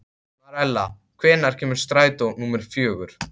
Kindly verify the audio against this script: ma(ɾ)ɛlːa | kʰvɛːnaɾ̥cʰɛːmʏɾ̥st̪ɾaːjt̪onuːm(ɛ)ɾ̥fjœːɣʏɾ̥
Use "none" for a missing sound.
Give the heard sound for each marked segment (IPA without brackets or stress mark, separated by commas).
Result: ɾ, ɛ